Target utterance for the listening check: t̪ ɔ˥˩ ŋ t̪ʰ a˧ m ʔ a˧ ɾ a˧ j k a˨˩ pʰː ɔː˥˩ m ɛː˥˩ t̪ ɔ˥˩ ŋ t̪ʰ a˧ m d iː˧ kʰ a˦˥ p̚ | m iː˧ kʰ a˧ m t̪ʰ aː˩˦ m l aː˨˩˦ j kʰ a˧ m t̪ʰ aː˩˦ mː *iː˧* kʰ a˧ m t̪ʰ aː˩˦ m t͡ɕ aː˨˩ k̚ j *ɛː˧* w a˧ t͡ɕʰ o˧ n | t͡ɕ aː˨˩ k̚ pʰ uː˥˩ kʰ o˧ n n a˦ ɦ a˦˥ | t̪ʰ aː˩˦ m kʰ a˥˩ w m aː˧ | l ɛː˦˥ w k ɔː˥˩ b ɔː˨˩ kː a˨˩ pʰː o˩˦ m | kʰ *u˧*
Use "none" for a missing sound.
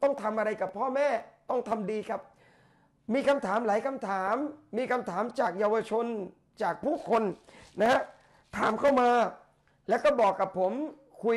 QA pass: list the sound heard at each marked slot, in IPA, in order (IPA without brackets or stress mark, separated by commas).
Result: iː˧, aː˧, u˧